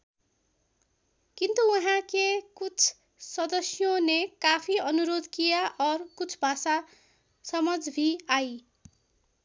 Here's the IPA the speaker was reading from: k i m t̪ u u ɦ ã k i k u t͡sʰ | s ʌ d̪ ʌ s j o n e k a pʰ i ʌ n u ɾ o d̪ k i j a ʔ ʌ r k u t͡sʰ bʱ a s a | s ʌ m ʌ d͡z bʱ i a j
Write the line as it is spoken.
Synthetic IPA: k i n t̪ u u ɦ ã k e k u t͡sʰ | s ʌ d̪ ʌ s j o n e k a pʰ i ʌ n u ɾ o d̪ k i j a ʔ ʌ r k u t͡sʰ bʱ a s a | s ʌ m ʌ d͡z bʱ i a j